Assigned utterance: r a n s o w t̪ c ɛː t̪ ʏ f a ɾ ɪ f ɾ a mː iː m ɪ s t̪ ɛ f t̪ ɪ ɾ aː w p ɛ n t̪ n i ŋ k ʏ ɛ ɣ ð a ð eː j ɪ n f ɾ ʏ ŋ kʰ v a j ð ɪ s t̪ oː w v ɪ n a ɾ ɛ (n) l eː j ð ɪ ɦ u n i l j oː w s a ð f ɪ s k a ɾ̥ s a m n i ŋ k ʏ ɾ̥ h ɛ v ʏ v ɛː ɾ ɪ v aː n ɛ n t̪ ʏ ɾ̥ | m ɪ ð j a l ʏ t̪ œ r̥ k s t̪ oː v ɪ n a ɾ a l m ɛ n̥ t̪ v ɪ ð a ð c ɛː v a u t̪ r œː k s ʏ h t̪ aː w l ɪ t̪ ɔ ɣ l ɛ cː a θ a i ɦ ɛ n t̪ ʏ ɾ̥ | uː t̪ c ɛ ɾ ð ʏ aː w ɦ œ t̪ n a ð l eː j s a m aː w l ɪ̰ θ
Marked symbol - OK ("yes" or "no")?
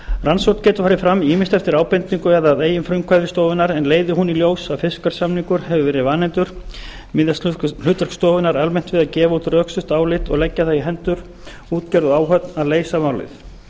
yes